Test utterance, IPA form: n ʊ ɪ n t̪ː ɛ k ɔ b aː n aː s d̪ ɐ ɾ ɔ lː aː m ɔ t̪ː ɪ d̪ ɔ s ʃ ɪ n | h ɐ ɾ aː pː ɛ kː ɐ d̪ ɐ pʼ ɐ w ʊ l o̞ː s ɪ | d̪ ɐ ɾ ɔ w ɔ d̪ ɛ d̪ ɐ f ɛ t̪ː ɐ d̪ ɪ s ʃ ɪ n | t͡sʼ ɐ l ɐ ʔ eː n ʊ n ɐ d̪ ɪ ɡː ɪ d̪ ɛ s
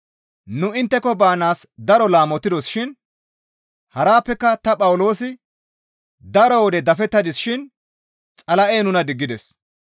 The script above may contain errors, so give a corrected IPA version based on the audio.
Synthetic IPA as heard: n ʊ ɪ n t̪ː ɛ k ɔ b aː n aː s d̪ ɐ ɾ ɔ l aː m ɔ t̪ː ɪ d̪ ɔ s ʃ ɪ n | h ɐ ɾ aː pː ɛ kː ɐ t̪ ɐ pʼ ɐ w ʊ l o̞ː s ɪ | d̪ ɐ ɾ ɔ w ɔ d̪ ɛ d̪ ɐ f ɛ t̪ː ɐ d̪ ɪ s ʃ ɪ n | t͡sʼ ɐ l ɐ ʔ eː n ʊ n ɐ d̪ ɪ ɡː ɪ d̪ ɛ s